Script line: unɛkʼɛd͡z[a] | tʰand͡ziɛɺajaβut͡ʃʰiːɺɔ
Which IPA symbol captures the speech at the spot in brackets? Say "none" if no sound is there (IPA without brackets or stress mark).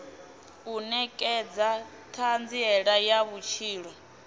a